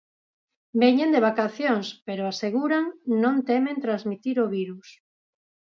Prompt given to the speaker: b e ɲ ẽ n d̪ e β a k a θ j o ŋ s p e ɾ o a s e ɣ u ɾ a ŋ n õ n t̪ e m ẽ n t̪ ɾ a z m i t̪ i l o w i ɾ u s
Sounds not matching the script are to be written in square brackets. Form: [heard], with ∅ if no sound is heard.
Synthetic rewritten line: b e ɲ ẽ n d̪ e β a k a θ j o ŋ s p e ɾ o a s e ɣ u ɾ a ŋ n õ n t̪ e m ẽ n t̪ ɾ a z m i t̪ i [ɾ] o [β] i ɾ u s